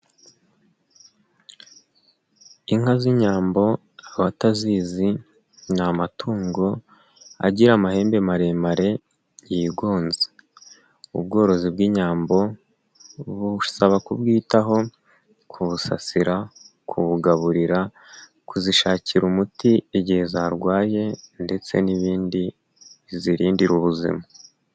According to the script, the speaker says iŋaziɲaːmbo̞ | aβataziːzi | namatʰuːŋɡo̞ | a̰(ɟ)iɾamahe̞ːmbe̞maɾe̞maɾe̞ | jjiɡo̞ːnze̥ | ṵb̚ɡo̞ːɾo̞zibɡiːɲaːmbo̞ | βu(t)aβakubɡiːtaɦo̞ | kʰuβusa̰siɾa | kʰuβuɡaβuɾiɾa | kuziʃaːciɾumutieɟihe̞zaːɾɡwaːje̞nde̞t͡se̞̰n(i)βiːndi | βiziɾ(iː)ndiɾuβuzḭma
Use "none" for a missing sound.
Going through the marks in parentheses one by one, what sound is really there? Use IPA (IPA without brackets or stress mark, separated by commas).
ɟ, s, i, iː